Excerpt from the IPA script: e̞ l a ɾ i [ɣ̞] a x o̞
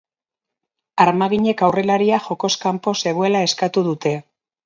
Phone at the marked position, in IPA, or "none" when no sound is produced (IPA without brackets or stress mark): none